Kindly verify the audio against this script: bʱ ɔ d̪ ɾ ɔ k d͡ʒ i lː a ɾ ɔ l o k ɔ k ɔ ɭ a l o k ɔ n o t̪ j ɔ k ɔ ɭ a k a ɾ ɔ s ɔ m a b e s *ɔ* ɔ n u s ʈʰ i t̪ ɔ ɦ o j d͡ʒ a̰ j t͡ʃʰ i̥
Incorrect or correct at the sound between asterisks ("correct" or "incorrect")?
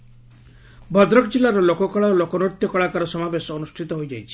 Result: correct